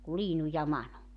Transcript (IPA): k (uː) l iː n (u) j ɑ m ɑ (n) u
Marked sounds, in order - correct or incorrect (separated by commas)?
incorrect, correct, correct